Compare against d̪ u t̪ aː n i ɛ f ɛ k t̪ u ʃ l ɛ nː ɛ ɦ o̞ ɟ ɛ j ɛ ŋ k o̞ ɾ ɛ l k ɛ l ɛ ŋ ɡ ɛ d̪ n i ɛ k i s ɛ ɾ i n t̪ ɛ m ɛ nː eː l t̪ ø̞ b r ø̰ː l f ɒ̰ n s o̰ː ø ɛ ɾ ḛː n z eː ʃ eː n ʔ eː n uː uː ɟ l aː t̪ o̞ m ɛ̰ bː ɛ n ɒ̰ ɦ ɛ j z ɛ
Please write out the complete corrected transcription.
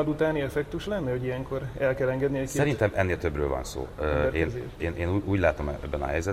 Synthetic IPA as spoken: d̪ u t̪ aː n i ɛ f ɛ k t̪ u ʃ l ɛ nː ɛ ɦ o̞ ɟ i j ɛ ŋ k o̞ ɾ ɛ l k ɛ l ɛ ŋ ɡ ɛ d̪ n i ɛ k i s ɛ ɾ i n t̪ ɛ m ɛ nː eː l t̪ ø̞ b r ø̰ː l v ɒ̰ n s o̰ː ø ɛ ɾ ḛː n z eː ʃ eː n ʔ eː n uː uː ɟ l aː t̪ o̞ m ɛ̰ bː ɛ n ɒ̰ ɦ ɛ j z ɛ